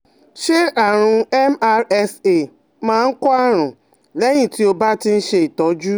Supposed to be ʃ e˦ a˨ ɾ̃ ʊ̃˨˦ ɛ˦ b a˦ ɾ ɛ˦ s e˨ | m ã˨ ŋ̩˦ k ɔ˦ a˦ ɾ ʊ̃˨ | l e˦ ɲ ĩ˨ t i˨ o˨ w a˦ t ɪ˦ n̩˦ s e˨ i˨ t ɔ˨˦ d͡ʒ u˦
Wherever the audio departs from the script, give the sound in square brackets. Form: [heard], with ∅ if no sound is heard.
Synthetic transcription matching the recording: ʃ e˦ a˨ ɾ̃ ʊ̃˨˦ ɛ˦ [m] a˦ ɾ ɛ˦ s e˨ | m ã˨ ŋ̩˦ k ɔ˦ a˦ ɾ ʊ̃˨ | l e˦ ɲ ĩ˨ t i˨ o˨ [b] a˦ t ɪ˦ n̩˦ [ʃ] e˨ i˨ t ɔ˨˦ d͡ʒ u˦